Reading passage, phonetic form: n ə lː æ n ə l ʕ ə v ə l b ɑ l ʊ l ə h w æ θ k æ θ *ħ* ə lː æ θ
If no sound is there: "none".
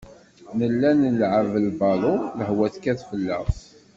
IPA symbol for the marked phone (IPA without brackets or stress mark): f